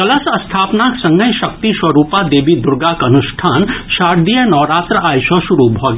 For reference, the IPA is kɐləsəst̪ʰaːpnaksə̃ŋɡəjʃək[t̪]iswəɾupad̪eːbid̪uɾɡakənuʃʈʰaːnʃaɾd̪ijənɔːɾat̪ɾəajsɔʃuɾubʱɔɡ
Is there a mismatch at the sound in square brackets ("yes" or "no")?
no